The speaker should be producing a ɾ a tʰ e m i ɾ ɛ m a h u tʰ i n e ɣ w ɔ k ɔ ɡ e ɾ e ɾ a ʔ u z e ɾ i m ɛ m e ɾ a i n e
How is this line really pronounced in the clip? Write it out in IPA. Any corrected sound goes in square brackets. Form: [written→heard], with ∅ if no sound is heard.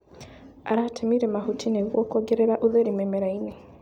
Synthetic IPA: a ɾ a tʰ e m i ɾ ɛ m a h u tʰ i n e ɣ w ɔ k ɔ ɡ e ɾ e ɾ a ʔ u [z→ð] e ɾ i m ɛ m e ɾ a i n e